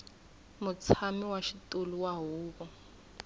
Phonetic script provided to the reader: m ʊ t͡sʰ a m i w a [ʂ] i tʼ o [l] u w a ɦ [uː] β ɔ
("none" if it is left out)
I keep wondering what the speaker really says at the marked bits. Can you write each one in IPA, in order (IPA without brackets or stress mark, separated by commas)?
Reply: ʃ, l, uː